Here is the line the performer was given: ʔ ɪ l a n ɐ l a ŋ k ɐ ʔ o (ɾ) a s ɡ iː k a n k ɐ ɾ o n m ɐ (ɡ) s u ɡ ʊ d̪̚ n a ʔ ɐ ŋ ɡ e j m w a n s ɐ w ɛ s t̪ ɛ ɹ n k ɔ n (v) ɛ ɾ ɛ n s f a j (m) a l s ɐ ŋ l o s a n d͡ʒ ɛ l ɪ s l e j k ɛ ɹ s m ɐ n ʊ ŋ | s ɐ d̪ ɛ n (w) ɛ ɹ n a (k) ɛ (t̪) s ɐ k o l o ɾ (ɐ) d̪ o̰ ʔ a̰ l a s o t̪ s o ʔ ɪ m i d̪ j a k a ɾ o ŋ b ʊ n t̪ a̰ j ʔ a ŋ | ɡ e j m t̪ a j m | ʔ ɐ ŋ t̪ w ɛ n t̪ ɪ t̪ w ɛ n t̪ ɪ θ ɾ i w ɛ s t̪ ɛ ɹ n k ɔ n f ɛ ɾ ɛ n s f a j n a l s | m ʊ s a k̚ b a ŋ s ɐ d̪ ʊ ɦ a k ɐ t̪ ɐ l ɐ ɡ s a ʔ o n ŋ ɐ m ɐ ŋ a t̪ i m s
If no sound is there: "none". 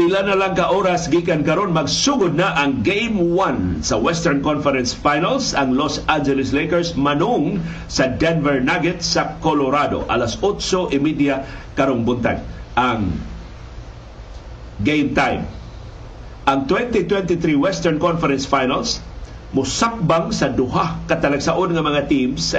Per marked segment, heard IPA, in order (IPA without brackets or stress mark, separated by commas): ɾ, ɡ, f, n, v, ɡ, t̪, a